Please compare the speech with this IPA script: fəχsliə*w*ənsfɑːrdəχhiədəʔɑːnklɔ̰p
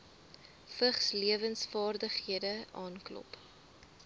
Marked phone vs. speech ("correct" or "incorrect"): incorrect